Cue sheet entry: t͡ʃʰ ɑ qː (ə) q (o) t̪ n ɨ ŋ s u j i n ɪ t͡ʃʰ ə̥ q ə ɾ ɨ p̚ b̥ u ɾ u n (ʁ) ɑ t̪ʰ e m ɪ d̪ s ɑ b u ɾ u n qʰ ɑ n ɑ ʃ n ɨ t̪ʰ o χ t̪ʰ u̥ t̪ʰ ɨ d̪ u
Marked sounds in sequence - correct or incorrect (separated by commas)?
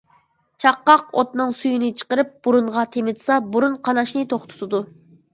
incorrect, correct, correct